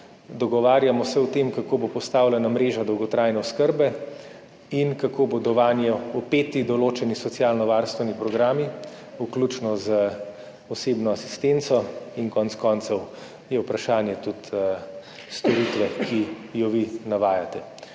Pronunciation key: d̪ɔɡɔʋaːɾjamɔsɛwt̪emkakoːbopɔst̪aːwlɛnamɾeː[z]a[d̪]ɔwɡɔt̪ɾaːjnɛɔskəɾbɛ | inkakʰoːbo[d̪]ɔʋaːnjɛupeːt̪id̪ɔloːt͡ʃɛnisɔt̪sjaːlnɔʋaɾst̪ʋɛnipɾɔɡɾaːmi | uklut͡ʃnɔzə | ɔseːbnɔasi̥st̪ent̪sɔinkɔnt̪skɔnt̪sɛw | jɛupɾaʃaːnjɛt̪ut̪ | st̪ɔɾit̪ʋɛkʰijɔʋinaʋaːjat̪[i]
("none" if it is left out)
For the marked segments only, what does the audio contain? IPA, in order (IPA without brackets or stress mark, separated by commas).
ʒ, d̪, d̪, ɛ